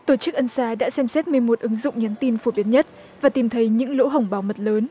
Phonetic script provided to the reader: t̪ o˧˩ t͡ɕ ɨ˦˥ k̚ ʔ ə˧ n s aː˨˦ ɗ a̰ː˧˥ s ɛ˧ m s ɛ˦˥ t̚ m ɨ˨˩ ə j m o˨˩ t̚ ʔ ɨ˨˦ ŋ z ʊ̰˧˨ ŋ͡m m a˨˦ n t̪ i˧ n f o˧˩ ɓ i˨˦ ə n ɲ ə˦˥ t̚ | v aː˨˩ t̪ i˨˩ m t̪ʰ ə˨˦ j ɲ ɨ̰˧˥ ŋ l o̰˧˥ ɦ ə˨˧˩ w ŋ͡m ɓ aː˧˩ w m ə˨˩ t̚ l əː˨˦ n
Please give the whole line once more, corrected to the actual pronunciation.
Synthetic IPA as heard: t̪ o˧˩ t͡ɕ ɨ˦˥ k̚ ʔ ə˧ n s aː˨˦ ɗ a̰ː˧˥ s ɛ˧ m s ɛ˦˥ t̚ m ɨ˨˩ ə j m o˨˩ t̚ ʔ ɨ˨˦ ŋ z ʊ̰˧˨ ŋ͡m ɲ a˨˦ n t̪ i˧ n f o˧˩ ɓ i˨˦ ə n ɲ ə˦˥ t̚ | v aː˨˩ t̪ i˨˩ m t̪ʰ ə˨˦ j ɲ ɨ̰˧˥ ŋ l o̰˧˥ ɦ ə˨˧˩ w ŋ͡m ɓ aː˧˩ w m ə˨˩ t̚ l əː˨˦ n

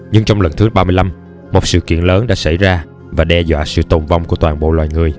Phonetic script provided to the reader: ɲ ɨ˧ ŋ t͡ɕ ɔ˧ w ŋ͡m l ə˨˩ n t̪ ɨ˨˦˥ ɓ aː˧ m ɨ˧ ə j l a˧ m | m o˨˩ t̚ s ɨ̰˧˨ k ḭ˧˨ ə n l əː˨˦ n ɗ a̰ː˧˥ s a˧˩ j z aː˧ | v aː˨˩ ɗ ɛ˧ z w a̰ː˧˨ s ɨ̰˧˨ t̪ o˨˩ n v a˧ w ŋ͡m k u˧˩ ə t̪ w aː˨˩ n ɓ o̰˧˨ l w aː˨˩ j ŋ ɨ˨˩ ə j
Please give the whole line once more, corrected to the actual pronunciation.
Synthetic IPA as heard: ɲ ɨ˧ ŋ t͡ɕ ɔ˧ w ŋ͡m l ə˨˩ n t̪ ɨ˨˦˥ ɓ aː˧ m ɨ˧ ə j l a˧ m | m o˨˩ t̚ s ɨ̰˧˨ k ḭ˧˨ ə n l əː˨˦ n ɗ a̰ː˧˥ s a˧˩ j z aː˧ | v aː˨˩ ɗ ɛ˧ z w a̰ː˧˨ s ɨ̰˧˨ t̪ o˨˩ n v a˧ w ŋ͡m k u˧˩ ə t̪ w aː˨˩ n ɓ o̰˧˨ l w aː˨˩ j ŋ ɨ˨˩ ə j

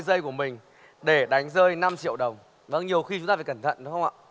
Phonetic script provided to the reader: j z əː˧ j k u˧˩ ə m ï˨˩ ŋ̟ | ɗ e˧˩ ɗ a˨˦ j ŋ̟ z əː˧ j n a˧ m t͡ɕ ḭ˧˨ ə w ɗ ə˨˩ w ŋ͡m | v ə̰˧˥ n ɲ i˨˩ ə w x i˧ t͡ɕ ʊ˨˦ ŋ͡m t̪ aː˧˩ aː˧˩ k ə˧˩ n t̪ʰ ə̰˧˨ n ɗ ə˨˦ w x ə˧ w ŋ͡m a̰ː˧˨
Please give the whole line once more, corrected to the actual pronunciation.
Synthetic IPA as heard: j z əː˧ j k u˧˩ ə m ï˨˩ ŋ̟ | ɗ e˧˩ ɗ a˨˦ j ŋ̟ z əː˧ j n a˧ m t͡ɕ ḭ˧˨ ə w ɗ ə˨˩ w ŋ͡m | v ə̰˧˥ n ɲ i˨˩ ə w x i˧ t͡ɕ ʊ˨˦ ŋ͡m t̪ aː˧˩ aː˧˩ k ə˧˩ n t̪ʰ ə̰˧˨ n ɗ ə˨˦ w x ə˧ w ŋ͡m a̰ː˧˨

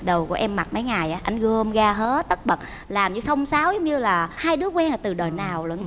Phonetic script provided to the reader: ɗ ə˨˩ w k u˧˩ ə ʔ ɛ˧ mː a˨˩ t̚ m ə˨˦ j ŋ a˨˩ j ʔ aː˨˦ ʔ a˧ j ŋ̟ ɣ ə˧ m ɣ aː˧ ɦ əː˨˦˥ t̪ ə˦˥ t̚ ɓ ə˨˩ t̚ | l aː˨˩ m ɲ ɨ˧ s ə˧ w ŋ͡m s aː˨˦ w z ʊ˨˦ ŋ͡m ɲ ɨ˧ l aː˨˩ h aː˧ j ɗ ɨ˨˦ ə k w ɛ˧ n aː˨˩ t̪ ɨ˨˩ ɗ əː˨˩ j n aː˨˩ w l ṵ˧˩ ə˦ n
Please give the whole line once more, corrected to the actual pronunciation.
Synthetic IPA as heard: ɗ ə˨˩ w k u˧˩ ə ʔ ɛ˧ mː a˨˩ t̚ m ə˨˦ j ŋ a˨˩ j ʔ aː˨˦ ʔ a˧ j ŋ̟ ɣ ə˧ m ɣ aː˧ ɦ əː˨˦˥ t̪ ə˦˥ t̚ ɓ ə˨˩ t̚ | l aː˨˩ m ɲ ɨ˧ s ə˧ w ŋ͡m s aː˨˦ w z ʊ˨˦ ŋ͡m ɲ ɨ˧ l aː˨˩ h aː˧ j ɗ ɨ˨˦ ə k w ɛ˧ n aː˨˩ t̪ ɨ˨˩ ɗ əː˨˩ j n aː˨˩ w l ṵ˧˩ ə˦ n

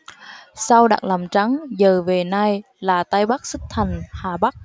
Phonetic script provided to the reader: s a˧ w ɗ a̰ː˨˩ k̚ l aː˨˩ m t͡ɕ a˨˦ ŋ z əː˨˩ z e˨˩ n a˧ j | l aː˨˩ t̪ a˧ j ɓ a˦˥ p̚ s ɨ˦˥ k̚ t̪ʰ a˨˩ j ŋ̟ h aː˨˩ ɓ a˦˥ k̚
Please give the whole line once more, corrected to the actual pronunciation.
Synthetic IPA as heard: s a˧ w ɗ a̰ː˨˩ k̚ l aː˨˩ m t͡ɕ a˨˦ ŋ z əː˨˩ v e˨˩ n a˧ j | l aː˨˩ t̪ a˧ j ɓ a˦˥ k̚ s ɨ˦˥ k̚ t̪ʰ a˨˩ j ŋ̟ h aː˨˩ ɓ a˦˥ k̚

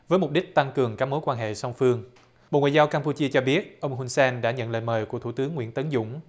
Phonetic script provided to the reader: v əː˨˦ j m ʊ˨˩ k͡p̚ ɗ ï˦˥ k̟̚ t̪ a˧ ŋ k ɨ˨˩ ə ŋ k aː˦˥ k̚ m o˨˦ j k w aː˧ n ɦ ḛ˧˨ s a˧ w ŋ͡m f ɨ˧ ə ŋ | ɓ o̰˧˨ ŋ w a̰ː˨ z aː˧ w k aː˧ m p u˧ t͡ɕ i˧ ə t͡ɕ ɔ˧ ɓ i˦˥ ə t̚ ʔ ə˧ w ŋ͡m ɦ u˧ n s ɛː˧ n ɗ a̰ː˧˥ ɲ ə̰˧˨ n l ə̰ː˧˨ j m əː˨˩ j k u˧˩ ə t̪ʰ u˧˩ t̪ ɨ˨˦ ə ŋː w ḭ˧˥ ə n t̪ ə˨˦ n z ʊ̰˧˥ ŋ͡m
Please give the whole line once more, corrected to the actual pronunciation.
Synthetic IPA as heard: v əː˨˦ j m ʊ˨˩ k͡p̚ ɗ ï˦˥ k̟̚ t̪ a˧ ŋ k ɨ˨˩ ə ŋ k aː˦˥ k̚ m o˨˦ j k w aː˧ n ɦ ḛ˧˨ s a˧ w ŋ͡m f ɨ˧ ə ŋ | ɓ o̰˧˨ ŋ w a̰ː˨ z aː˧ w k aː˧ m p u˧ t͡ɕ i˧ ə t͡ɕ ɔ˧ ɓ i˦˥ ə t̚ ʔ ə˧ w ŋ͡m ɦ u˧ n s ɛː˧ n ɗ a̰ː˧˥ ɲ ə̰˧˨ n l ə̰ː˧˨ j m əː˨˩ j k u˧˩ ə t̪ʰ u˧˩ t̪ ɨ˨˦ ə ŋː w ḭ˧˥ ə n t̪ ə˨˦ n z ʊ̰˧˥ ŋ͡m

